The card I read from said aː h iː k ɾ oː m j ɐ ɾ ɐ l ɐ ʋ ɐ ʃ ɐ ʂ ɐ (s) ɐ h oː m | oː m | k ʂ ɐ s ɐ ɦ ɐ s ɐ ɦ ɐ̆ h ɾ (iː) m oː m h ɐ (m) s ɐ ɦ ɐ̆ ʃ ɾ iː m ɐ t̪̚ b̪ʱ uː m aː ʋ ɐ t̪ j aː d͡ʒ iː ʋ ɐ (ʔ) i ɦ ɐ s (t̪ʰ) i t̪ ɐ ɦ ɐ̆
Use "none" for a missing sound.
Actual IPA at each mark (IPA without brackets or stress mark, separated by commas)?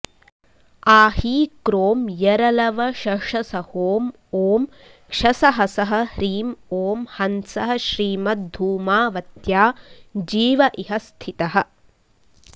s, iː, n, ʔ, t̪ʰ